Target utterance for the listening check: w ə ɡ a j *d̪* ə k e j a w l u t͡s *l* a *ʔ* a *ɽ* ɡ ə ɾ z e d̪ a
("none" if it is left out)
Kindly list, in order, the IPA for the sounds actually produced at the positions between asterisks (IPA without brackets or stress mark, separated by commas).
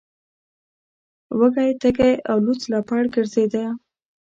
t̪, l, p, ɽ